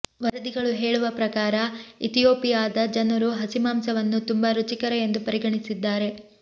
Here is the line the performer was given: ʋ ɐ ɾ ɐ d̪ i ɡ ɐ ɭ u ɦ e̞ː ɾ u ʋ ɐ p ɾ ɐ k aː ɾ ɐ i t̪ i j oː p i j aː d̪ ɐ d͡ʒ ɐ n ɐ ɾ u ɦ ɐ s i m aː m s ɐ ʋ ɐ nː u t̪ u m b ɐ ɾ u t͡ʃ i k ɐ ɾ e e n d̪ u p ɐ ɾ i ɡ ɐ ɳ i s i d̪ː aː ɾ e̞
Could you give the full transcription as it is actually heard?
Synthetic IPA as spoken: ʋ ɐ ɾ ɐ d̪ i ɡ ɐ ɭ u ɦ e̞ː ɭ u ʋ ɐ p ɾ ɐ k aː ɾ ɐ i t̪ i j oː p i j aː d̪ ɐ d͡ʒ ɐ n ɐ ɾ u ɦ ɐ s i m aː m s ɐ ʋ ɐ nː u t̪ u m b ɐ ɾ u t͡ʃ i k ɐ ɾ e e n d̪ u p ɐ ɾ i ɡ ɐ ɳ i s i d̪ː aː ɾ e̞